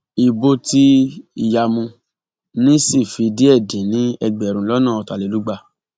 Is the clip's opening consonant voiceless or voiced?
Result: voiced